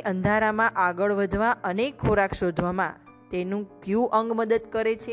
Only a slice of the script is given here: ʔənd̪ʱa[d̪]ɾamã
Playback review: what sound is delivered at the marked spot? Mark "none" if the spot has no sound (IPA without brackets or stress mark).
none